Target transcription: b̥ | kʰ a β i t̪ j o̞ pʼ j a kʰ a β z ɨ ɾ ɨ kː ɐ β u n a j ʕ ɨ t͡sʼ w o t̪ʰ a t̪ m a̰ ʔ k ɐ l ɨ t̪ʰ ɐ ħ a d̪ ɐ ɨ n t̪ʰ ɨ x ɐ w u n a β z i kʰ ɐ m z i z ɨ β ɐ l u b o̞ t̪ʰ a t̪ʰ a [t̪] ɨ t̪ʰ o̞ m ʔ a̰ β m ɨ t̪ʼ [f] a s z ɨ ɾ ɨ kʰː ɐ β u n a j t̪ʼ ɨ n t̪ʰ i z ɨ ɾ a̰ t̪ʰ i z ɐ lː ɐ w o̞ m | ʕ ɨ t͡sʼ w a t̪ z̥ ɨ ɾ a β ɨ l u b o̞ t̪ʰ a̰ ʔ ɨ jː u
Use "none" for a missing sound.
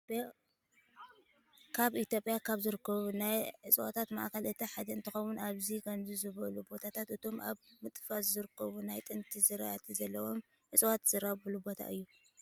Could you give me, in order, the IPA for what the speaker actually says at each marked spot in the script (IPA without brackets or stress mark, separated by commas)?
t̪, f